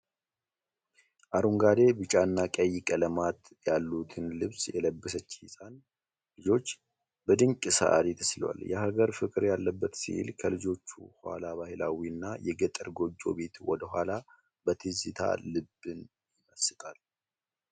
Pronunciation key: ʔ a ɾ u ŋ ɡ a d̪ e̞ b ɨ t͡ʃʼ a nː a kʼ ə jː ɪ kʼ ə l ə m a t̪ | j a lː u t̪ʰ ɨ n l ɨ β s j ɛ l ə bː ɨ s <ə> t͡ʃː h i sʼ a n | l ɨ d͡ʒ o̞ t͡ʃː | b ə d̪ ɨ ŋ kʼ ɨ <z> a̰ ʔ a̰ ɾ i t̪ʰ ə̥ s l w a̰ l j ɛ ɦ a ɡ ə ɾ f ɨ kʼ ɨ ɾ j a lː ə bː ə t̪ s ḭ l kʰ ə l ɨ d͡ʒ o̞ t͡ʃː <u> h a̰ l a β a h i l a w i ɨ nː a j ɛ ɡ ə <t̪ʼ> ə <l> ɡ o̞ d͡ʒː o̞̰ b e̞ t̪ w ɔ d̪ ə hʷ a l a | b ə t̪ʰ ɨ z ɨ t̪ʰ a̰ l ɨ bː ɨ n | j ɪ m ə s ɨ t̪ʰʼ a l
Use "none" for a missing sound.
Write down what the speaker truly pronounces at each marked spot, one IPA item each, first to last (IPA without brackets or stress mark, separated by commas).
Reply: ə, s, u, t̪ʼ, ɾ